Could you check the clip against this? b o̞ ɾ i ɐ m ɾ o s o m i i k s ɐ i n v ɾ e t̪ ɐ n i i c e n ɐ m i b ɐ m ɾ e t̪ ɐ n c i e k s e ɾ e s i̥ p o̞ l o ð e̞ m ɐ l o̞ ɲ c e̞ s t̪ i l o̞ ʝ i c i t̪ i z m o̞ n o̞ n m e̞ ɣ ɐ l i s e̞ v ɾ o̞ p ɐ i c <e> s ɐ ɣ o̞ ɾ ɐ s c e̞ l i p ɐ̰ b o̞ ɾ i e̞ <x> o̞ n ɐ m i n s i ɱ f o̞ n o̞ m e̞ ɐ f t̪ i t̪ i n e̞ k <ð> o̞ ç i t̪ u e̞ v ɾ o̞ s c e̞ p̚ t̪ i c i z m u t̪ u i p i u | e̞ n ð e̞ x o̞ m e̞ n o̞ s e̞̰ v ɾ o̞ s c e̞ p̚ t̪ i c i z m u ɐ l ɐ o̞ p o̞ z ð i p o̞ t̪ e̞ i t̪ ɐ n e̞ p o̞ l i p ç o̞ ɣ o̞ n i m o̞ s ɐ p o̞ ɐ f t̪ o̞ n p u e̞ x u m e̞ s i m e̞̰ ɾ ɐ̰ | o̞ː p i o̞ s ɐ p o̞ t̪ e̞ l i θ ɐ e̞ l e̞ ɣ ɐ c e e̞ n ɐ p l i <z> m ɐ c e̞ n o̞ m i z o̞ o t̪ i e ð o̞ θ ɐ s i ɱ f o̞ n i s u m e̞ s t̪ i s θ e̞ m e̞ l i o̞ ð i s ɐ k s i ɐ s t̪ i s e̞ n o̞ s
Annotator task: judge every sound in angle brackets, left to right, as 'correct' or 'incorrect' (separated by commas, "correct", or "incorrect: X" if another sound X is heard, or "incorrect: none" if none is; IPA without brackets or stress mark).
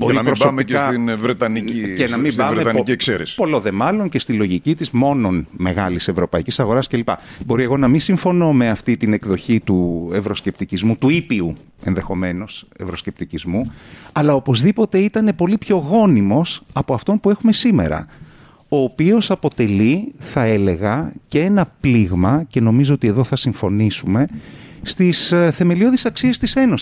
incorrect: i, incorrect: ɣ, correct, incorrect: ɣ